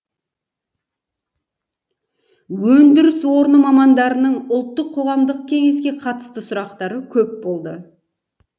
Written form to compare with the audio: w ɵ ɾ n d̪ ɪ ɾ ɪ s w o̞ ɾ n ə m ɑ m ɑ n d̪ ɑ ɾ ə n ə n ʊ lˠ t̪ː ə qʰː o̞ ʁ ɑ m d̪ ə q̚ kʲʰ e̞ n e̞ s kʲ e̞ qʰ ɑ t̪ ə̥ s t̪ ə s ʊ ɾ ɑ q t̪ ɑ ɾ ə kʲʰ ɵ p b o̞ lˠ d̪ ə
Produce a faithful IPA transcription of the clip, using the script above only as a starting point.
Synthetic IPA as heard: w ɵ n d̪ ɪ ɾ ɪ s w o̞ ɾ n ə m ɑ m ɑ n d̪ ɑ ɾ ə n ə ɴ ʊ lˠ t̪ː ə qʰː o̞ ʁ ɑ m d̪ ə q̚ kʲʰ e̞ ŋ e̞ s kʲ e̞ qʰ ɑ t̪ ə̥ s t̪ ə s ʊ ɾ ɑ q t̪ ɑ ɾ ə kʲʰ ɵ p b o̞ lˠ d̪ ə